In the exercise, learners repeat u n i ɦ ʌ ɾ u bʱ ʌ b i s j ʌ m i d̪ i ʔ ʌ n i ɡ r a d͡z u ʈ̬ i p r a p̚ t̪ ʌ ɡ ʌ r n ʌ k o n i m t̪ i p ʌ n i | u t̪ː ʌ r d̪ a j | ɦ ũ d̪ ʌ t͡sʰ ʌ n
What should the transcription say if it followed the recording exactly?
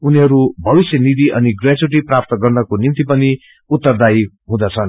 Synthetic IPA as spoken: u n i ɦ ʌ ɾ u bʱ ʌ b i s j ʌ n i d̪ i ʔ ʌ n i ɡ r a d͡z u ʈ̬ i p r a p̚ t̪ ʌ ɡ ʌ r n ʌ k o n i m t̪ i p ʌ n i | u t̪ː ʌ r d̪ a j | ɦ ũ d̪ ʌ t͡sʰ ʌ n